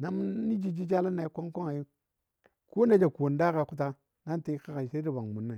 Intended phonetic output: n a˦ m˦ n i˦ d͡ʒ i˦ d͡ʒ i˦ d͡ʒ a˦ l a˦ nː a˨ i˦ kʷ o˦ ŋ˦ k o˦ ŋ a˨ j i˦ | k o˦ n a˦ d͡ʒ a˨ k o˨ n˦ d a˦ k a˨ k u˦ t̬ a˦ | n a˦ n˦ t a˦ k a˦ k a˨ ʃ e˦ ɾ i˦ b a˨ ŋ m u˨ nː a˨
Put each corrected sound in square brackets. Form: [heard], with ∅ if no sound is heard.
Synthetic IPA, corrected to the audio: n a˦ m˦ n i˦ d͡ʒ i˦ d͡ʒ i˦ d͡ʒ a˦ l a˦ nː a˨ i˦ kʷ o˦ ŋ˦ k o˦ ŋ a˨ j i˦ | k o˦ n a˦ d͡ʒ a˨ k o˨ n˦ d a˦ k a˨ k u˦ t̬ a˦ | n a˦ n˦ t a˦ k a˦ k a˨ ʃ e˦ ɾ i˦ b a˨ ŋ m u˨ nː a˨